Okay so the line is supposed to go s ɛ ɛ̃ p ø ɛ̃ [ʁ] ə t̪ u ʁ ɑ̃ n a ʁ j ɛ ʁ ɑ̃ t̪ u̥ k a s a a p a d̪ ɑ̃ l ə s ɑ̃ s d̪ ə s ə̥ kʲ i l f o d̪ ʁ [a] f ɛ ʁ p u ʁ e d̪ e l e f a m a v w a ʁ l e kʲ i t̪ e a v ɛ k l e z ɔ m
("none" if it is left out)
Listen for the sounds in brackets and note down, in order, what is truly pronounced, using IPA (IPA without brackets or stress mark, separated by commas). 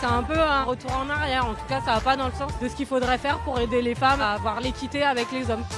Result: ʁ, ɛ